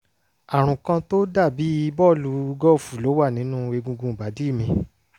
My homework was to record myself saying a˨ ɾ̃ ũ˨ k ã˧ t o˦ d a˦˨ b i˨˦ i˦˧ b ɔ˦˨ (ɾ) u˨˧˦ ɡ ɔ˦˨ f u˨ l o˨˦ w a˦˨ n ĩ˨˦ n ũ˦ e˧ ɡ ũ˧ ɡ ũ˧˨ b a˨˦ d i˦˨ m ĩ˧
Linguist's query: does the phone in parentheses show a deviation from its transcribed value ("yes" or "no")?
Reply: yes